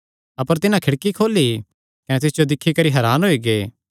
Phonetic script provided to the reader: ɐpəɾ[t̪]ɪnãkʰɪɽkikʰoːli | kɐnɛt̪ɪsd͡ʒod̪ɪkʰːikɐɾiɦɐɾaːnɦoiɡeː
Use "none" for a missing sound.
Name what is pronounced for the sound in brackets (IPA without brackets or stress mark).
t̪